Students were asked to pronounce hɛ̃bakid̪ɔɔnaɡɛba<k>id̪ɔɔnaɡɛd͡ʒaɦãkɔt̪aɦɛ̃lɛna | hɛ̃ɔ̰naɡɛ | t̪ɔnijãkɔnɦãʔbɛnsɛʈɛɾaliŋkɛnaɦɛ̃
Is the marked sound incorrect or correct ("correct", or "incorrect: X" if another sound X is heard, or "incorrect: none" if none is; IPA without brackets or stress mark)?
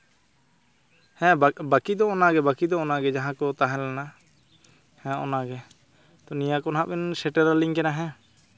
correct